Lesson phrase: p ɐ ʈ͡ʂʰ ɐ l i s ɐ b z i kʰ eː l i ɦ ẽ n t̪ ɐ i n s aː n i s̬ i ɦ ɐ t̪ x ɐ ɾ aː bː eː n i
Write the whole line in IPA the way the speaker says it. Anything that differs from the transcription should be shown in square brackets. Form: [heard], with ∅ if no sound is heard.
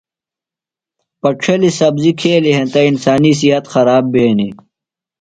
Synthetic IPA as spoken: p ɐ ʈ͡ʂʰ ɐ l i s ɐ b z i kʰ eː l i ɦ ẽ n t̪ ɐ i n s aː n i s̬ i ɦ ɐ t̪ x ɐ ɾ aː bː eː n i